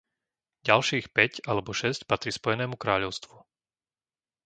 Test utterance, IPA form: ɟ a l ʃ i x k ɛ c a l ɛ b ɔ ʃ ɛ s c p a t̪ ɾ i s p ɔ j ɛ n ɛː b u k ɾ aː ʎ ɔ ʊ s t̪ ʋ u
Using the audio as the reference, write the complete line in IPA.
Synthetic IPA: ɟ a l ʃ iː x p ɛ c a l ɛ b ɔ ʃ ɛ s c p a t̪ ɾ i s p ɔ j ɛ n ɛː m u k ɾ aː ʎ ɔ ʊ s t̪ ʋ u